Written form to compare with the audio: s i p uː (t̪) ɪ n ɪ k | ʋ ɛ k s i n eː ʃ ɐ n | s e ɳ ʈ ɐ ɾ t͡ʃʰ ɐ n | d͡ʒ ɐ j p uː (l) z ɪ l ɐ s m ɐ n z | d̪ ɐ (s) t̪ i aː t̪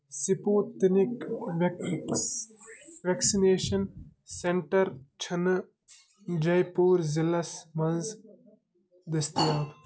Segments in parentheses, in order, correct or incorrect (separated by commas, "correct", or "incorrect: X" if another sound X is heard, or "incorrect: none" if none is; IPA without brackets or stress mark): correct, incorrect: ɾ, correct